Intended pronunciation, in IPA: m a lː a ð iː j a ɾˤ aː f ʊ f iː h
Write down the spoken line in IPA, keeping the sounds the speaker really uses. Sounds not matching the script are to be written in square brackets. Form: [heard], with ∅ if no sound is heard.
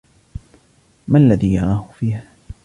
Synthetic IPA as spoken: m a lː a ð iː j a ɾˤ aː [h] ʊ f iː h